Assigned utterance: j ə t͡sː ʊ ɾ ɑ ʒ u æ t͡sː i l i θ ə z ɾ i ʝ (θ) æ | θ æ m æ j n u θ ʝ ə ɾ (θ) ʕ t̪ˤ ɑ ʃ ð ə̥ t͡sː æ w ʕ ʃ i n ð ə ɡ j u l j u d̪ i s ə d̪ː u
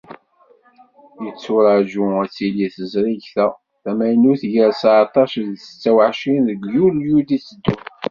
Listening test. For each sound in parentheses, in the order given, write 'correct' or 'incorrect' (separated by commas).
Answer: correct, incorrect